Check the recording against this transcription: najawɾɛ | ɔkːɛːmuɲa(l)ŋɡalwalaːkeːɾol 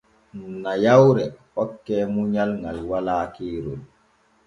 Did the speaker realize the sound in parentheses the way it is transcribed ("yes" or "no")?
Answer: yes